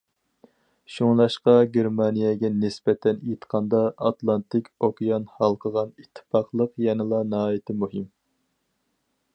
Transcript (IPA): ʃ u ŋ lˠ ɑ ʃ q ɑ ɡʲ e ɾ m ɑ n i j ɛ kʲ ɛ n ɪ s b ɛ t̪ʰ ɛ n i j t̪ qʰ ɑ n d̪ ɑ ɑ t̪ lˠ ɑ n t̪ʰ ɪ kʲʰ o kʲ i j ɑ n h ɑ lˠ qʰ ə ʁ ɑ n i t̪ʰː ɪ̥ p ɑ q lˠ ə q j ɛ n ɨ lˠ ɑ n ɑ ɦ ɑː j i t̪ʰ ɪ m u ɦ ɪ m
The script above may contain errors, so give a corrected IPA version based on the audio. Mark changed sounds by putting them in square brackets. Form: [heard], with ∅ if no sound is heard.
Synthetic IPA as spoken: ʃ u ŋ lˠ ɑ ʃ q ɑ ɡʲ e ɾ m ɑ n i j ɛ [ɡʲ] ɛ n ɪ s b ɛ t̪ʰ ɛ n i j t̪ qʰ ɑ n d̪ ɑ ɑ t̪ lˠ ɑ n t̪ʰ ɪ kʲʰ o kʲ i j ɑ n h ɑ lˠ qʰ ə ʁ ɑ n i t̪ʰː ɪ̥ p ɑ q lˠ ə q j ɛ n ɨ lˠ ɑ n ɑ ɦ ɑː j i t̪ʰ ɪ m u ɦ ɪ m